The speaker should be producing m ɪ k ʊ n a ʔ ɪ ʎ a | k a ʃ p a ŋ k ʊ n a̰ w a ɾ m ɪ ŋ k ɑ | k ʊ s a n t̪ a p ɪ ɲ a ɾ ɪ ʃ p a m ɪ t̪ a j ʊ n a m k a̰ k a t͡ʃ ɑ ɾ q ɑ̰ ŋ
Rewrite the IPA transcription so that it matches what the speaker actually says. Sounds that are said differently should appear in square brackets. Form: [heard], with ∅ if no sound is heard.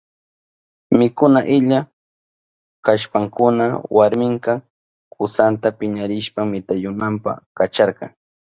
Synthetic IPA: m ɪ k ʊ n a ʔ ɪ ʎ a | k a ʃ p a ŋ k ʊ n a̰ w a ɾ m ɪ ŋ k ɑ | k ʊ s a n t̪ a p ɪ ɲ a ɾ ɪ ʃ p a m ɪ t̪ a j ʊ n a m [p] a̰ k a t͡ʃ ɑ ɾ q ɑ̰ ŋ